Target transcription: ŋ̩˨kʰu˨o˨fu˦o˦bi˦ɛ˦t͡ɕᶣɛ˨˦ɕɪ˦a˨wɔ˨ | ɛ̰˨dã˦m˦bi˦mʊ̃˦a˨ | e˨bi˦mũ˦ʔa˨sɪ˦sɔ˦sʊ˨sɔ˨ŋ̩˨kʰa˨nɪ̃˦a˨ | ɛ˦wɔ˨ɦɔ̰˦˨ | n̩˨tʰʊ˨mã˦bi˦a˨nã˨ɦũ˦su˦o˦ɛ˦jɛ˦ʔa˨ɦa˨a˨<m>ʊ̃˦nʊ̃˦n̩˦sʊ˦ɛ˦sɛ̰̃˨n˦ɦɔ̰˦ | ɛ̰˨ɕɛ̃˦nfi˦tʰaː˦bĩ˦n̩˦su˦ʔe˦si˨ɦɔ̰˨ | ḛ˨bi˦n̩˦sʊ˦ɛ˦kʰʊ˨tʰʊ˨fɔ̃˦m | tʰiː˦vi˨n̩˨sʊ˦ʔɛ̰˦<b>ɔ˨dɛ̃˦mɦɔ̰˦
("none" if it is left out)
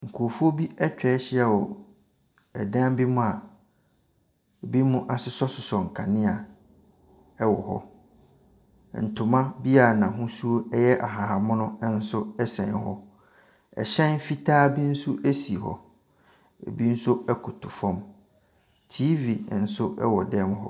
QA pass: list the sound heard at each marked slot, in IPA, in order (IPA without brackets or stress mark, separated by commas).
m, w